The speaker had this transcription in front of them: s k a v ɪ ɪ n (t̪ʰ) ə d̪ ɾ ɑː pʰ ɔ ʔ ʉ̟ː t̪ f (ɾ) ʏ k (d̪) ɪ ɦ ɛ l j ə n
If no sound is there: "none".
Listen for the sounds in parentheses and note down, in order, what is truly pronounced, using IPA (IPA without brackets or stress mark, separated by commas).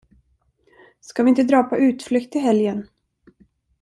t̪, l, t̪